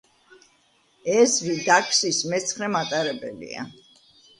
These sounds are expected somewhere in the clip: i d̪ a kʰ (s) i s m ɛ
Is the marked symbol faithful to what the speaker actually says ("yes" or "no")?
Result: yes